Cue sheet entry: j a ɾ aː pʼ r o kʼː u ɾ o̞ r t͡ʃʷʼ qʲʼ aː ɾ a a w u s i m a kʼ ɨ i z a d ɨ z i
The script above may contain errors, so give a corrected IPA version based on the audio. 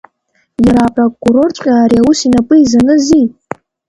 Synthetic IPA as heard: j a ɾ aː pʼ r o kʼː u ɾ o̞ r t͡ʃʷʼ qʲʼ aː ɾ i a w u s i n a pʼ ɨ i z a n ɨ z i